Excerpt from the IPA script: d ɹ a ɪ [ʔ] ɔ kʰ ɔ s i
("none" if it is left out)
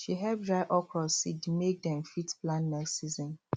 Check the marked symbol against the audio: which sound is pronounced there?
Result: ʔ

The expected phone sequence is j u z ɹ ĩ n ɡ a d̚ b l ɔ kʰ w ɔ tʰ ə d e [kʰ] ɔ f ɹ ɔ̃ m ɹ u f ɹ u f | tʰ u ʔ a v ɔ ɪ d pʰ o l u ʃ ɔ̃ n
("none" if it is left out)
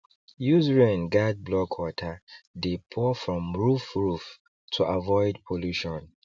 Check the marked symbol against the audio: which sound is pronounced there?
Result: pʰ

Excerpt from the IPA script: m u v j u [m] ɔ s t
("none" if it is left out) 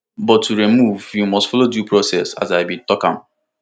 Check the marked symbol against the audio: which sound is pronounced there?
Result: m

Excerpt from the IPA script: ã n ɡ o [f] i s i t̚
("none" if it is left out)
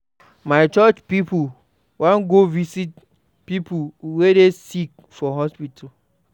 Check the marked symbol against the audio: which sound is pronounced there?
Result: v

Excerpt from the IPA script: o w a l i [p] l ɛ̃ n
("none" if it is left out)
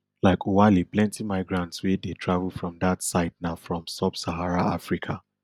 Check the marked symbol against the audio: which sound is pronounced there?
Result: p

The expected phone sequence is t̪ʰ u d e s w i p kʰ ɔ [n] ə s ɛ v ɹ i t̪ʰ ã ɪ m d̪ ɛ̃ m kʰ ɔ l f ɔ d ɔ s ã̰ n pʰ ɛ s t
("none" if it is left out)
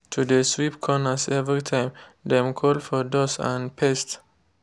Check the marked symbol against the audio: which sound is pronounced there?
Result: n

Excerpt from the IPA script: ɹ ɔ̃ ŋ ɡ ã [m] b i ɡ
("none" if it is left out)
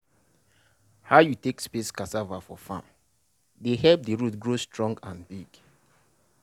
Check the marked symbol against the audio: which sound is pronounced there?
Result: n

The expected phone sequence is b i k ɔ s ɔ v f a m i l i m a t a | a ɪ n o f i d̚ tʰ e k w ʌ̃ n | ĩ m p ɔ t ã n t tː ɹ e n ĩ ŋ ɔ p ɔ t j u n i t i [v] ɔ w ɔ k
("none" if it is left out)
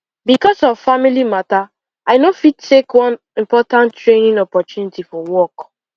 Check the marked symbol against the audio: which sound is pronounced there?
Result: f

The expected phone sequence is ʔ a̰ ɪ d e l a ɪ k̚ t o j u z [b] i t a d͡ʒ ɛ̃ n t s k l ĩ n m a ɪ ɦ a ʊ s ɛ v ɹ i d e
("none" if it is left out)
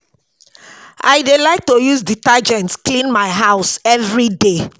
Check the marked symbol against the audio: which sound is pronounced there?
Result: d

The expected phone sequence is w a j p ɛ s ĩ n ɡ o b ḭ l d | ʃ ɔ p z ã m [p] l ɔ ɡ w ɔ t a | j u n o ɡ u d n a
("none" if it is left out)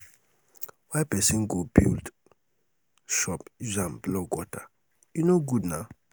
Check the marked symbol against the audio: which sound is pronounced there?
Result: b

